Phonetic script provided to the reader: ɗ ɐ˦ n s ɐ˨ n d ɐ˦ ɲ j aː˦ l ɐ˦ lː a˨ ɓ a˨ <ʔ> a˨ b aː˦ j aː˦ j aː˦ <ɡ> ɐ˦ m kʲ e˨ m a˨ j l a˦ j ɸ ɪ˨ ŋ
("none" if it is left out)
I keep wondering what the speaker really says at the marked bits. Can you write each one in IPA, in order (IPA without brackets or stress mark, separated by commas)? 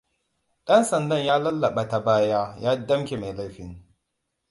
t, d